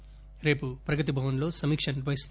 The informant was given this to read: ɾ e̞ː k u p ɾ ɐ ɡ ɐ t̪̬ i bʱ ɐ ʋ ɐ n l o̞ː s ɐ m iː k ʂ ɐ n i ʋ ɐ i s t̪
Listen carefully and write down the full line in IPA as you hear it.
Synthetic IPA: ɾ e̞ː p u p ɾ ɐ ɡ ɐ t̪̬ i bʱ ɐ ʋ ɐ n l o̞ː s ɐ m iː k ʂ ɐ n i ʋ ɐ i s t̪